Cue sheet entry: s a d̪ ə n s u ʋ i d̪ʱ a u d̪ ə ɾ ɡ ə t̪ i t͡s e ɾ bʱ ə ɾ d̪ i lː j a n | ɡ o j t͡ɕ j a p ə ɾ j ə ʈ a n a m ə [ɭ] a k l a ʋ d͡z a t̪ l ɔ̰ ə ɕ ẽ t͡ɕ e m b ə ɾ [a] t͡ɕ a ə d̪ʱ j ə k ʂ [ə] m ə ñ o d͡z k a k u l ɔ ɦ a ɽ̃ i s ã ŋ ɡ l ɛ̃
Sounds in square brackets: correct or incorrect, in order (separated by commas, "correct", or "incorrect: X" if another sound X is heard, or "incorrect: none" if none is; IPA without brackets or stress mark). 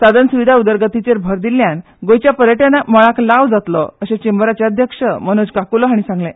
correct, correct, correct